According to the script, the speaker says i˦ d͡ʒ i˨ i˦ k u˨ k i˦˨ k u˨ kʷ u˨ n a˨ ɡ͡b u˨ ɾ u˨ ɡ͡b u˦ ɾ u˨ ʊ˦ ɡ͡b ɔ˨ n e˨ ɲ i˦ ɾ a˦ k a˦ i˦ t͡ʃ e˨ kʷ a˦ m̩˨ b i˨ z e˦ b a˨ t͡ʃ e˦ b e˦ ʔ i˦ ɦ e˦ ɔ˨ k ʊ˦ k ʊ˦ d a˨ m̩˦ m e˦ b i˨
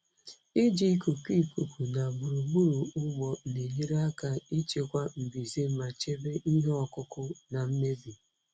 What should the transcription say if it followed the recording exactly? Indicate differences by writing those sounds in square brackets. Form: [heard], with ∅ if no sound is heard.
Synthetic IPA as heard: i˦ d͡ʒ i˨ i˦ k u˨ k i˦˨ k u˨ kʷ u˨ n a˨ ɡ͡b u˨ ɾ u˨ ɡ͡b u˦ ɾ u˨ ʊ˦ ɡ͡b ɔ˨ n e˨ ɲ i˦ ɾ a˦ k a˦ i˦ t͡ʃ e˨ kʷ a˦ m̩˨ b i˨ z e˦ [m] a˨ t͡ʃ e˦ b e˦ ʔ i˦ ɦ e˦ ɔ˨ k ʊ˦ k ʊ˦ [n] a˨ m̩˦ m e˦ b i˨